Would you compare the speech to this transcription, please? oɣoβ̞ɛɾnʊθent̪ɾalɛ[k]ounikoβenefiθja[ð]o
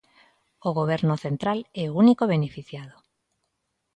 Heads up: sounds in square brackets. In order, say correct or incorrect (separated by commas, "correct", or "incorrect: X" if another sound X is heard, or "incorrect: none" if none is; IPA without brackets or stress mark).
incorrect: none, correct